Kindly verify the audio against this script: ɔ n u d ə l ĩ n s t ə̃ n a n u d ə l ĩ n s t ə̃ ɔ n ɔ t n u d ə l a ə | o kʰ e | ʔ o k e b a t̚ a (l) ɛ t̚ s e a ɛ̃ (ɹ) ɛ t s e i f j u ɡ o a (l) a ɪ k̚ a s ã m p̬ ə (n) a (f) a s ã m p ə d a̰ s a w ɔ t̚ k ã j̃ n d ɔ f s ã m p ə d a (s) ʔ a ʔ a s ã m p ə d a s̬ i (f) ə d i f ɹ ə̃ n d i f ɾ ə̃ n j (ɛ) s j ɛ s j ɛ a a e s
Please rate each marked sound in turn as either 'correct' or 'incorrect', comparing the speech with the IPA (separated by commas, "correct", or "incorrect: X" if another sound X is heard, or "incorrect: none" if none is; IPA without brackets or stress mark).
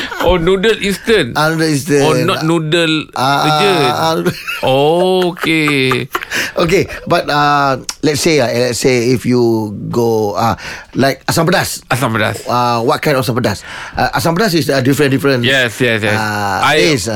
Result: correct, incorrect: l, correct, incorrect: d, incorrect: s, correct, incorrect: s, correct